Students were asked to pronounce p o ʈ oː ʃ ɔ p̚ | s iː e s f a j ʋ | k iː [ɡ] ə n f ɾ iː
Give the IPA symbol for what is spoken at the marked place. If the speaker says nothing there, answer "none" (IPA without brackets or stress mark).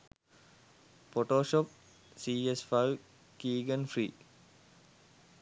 ɡ